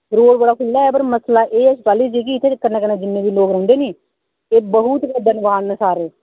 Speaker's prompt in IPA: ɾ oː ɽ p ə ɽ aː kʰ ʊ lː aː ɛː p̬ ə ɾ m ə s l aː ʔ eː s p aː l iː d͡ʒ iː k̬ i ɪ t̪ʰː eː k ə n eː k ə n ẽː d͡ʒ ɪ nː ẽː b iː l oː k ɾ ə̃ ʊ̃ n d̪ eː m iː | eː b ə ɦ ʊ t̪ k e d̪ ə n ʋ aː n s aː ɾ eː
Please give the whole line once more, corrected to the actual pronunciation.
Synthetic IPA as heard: ɾ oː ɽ b ə ɽ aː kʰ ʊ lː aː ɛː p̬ ə ɾ m ə s l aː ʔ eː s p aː l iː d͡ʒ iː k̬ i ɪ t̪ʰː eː k ə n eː k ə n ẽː d͡ʒ ɪ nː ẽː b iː l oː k ɾ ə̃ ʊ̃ n d̪ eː n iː | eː b ə ɦ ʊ t̪ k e d̪ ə n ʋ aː n s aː ɾ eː